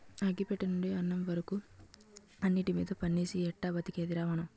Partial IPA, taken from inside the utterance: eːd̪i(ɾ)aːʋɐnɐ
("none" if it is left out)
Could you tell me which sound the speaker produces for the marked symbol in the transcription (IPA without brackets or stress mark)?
ɾ